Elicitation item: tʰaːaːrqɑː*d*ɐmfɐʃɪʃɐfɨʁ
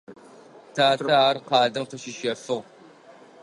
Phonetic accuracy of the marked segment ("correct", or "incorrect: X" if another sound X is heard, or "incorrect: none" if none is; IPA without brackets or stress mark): correct